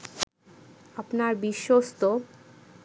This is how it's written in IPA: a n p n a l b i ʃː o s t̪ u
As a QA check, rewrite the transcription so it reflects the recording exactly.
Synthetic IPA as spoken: a p n a ɾ b i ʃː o s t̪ o